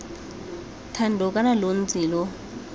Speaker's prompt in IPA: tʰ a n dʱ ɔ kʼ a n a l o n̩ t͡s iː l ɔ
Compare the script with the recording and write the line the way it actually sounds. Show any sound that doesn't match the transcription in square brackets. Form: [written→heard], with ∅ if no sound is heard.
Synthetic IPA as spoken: tʰ a n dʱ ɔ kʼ a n a l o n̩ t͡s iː l ɔ